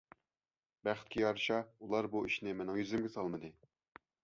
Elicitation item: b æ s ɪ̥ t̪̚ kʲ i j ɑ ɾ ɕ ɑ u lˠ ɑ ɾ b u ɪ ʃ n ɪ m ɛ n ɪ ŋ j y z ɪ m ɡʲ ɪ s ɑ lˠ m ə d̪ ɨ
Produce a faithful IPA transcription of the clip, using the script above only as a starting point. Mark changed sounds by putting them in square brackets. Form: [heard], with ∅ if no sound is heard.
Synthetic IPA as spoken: b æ [χ] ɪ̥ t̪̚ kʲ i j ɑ ɾ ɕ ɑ u lˠ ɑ ɾ b u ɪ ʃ n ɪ m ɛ n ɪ ŋ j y z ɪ m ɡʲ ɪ s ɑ lˠ m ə d̪ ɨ